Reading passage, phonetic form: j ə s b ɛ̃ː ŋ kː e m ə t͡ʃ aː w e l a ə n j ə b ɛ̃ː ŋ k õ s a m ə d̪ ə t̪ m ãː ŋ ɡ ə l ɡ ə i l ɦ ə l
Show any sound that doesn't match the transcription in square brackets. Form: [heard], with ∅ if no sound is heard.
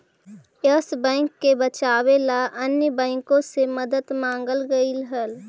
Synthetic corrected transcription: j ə s b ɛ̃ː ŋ kː e [b] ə t͡ʃ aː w e l a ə n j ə b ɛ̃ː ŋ k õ s [e] m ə d̪ ə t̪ m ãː ŋ ɡ ə l ɡ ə i l ɦ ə l

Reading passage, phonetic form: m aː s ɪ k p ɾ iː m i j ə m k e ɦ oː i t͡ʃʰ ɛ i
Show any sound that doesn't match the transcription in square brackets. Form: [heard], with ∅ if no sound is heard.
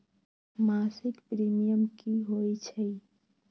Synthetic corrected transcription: m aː s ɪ k p ɾ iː m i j ə m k [i] ɦ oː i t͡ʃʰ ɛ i

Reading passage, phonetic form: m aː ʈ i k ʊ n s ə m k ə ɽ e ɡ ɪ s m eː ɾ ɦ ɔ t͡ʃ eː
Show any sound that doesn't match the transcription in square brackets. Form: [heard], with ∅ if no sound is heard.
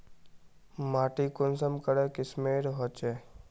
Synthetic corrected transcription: m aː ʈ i k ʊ n s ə m k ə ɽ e [k] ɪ s m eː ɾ ɦ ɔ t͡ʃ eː

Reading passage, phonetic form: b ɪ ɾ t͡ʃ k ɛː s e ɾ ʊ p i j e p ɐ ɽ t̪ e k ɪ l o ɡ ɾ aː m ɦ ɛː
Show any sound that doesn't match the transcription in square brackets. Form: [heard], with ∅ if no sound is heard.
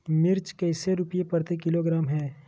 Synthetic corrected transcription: [m] ɪ ɾ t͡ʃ k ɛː s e ɾ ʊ p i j e p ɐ [ɾ] t̪ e k ɪ l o ɡ ɾ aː m ɦ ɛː

